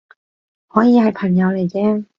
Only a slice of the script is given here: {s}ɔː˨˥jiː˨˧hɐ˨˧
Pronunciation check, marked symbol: incorrect: h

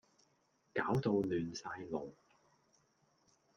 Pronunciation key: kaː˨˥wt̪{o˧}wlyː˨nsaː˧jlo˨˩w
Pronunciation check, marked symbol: correct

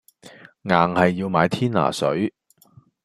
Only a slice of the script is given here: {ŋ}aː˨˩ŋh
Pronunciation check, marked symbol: correct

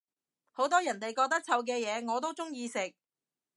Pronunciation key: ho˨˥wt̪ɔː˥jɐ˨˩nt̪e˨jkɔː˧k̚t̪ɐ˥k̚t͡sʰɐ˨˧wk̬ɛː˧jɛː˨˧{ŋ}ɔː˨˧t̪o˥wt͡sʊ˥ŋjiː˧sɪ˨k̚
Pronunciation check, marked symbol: correct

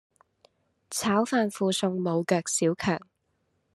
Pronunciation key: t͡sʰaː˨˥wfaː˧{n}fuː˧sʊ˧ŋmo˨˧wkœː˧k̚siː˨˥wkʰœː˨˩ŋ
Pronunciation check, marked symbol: correct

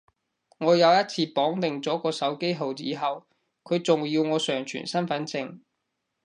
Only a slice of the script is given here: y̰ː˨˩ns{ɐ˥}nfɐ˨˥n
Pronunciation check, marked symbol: correct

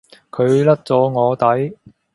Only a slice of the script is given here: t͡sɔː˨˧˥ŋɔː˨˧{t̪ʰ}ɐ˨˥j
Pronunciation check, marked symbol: incorrect: t̪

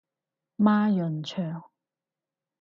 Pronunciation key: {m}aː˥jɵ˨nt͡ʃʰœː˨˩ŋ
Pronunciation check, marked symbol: correct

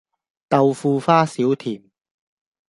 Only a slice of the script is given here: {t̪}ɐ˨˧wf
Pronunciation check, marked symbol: correct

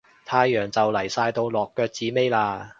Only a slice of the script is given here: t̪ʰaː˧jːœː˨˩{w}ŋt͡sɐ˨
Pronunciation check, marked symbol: incorrect: none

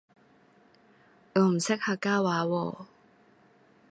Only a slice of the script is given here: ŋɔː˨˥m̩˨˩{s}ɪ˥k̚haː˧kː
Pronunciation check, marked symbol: correct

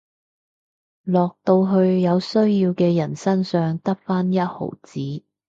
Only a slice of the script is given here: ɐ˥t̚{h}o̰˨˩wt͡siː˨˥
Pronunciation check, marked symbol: correct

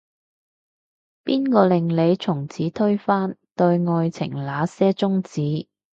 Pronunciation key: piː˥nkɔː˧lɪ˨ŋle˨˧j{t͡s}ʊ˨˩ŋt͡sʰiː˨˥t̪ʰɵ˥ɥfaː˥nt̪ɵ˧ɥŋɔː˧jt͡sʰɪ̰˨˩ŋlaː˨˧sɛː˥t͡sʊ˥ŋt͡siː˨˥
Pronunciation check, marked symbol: incorrect: t͡sʰ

